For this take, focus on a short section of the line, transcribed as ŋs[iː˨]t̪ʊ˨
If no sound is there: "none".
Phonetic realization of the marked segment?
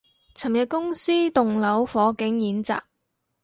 iː˥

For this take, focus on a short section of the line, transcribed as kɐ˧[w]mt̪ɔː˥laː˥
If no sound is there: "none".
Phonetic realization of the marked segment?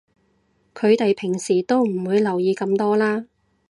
none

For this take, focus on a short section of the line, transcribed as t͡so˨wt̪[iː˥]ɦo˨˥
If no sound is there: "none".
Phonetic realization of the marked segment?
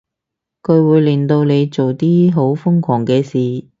iː˥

